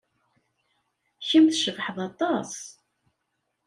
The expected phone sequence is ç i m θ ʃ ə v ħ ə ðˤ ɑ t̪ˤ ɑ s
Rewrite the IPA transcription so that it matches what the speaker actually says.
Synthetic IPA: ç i m θ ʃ ə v ħ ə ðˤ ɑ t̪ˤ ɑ s